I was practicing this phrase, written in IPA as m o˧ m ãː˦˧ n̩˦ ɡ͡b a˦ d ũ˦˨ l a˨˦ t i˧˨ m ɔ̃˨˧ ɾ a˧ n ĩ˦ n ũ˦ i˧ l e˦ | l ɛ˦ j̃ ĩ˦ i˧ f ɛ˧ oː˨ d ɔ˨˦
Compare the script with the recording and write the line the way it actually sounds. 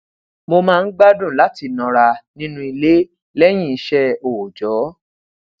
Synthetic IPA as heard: m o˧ m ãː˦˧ n̩˦ ɡ͡b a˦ d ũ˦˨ l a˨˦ t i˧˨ n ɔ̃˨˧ ɾ a˧ n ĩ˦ n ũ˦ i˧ l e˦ | l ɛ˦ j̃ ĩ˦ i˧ ʃ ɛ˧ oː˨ d͡ʒ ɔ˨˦